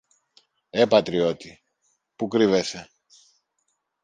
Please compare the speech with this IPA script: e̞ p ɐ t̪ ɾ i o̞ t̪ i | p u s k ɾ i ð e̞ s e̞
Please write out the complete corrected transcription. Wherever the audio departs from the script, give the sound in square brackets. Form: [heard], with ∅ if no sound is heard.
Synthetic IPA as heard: e̞ p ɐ t̪ ɾ i o̞ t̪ i | p u [∅] k ɾ i [v] e̞ s e̞